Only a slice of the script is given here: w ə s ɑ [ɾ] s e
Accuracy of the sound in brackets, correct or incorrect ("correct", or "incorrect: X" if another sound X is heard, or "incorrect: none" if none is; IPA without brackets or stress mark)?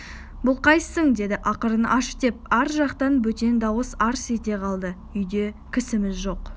correct